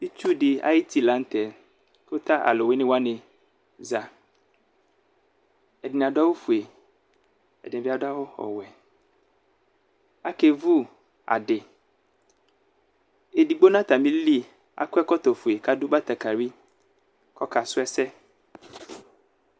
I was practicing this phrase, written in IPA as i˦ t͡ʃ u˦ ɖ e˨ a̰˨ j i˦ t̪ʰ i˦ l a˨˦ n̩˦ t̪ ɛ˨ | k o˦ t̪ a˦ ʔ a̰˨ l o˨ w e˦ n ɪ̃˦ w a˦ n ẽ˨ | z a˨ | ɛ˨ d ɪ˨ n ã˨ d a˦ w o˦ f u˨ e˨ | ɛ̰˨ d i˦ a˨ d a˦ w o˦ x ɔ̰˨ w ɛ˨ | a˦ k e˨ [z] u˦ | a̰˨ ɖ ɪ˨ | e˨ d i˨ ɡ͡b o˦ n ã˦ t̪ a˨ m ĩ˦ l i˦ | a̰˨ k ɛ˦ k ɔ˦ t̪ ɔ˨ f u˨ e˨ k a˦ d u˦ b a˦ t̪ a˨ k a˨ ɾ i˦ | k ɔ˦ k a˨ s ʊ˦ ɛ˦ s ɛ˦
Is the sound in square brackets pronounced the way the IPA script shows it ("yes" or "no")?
no